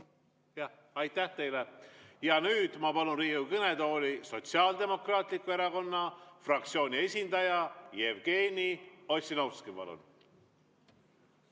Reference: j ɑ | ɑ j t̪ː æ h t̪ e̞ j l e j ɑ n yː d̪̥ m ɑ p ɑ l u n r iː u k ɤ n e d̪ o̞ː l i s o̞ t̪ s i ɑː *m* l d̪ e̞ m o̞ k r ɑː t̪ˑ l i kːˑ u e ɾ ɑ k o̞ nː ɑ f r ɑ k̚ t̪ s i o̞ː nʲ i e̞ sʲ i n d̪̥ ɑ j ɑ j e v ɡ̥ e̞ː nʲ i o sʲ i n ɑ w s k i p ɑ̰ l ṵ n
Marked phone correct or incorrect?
incorrect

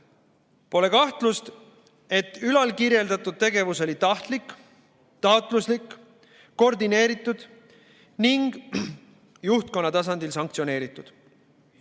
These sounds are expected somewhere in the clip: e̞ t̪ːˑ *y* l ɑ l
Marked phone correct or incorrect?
correct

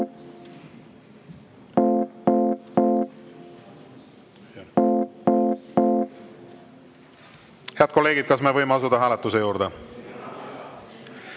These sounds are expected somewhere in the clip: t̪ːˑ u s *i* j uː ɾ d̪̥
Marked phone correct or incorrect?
incorrect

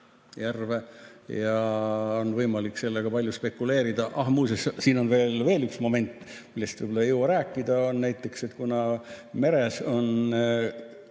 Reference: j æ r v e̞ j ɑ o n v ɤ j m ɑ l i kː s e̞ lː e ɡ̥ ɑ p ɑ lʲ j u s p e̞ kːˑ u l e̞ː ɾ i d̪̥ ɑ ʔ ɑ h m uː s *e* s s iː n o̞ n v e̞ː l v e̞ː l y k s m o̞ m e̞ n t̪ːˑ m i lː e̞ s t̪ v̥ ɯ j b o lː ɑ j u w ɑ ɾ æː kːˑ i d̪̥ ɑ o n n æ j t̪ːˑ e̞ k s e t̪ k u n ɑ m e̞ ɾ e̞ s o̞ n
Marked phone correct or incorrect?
correct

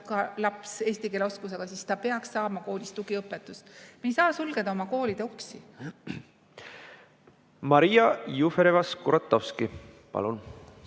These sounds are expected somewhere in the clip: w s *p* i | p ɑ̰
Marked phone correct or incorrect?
incorrect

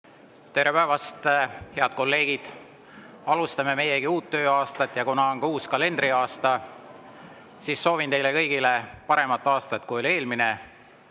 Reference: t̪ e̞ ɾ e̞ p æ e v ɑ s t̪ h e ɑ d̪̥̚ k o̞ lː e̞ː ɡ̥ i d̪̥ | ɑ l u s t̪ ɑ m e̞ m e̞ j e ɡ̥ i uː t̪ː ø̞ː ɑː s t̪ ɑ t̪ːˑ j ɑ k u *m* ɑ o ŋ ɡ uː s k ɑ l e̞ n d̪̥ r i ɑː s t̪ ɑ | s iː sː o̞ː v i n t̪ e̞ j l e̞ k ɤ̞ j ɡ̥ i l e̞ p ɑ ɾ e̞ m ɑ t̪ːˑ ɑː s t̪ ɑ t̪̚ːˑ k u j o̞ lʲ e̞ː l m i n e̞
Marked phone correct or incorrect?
incorrect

